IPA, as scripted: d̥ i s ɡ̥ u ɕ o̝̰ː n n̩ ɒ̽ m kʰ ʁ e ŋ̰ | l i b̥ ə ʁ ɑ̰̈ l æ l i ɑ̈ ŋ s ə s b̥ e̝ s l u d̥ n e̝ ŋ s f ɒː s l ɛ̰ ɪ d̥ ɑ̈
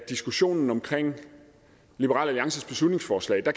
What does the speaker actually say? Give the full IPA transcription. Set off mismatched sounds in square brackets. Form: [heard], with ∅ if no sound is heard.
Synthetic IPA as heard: d̥ i s ɡ̥ u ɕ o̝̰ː n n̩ ɒ̽ m kʰ ʁ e ŋ̰ | l i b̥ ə ʁ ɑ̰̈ l æ l i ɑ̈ ŋ s ə s b̥ e̝ s l u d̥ n e̝ ŋ s f ɒː s l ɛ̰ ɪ d̥ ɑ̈